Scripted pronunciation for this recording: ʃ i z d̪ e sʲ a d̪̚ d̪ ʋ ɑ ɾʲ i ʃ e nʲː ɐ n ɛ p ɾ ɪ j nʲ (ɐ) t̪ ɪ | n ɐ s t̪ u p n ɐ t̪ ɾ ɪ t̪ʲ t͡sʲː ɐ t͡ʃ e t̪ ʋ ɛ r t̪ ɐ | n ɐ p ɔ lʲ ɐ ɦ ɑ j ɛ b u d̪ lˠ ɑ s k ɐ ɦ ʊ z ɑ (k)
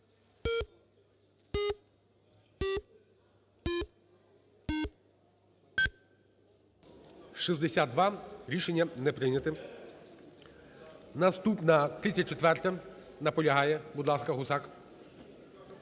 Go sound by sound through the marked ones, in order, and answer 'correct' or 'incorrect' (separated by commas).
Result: correct, correct